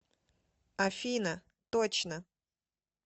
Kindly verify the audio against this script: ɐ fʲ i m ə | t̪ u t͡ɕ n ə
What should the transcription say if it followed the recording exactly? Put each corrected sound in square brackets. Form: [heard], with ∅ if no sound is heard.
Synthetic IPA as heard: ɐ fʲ i [n] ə | t̪ [o] t͡ɕ n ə